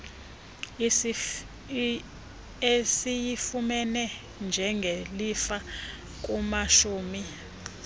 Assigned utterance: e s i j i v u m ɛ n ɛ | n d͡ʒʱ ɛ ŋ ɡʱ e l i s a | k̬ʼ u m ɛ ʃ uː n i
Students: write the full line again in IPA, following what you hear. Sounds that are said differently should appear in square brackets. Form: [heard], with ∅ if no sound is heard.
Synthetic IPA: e s i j i [f] u m ɛ n ɛ | n d͡ʒʱ ɛ ŋ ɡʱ e l i [f] a | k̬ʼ u m [a] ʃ uː [m] i